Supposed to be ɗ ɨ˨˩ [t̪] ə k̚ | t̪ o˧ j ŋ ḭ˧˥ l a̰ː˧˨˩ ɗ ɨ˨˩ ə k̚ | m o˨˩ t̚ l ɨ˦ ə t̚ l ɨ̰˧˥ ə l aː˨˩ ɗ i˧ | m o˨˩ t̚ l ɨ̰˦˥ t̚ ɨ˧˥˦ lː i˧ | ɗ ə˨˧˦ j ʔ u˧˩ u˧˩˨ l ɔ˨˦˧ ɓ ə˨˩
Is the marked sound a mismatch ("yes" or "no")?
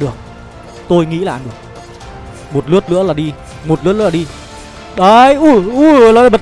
yes